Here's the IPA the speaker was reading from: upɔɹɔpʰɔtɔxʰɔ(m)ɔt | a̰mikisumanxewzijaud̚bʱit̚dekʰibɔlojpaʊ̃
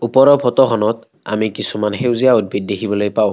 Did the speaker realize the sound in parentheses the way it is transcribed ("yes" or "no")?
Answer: no